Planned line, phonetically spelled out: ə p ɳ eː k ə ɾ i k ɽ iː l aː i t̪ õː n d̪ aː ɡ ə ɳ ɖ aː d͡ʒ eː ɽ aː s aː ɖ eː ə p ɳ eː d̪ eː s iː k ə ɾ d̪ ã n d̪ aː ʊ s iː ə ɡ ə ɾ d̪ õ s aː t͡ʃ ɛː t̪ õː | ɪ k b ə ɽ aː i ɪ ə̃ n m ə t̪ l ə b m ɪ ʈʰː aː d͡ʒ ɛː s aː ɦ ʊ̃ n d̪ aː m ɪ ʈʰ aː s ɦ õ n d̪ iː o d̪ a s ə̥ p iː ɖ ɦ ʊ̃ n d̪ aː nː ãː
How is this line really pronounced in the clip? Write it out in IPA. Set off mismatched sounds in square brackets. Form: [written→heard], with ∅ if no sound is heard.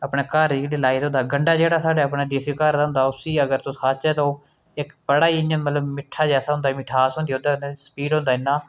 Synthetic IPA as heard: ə p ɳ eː k ə ɾ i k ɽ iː l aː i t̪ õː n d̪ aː ɡ ə ɳ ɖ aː d͡ʒ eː ɽ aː s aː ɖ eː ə p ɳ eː d̪ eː s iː k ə ɾ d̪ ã n d̪ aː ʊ s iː ə ɡ ə ɾ [d̪→t̪] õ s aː t͡ʃ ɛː t̪ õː | ɪ k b ə ɽ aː i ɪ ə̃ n m ə t̪ l ə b m ɪ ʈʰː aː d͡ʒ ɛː s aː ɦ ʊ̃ n d̪ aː m ɪ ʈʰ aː s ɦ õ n d̪ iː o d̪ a s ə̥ p iː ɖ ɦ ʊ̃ n d̪ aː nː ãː